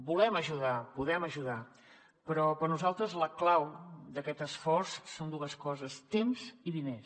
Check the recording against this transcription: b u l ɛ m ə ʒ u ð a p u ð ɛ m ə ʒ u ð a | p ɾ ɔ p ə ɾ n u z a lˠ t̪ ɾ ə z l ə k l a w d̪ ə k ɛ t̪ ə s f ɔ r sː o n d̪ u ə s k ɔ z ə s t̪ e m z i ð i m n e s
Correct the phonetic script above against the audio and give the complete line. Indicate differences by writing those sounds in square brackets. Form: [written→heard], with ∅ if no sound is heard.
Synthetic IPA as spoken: b u l ɛ m ə ʒ u ð a p u ð ɛ m ə ʒ u ð a | p ɾ ɔ p ə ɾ n u z a lˠ t̪ ɾ ə z l ə k l a w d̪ ə k ɛ t̪ ə s f ɔ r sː o n d̪ u ə s k ɔ z ə s t̪ e m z i ð i [m→∅] n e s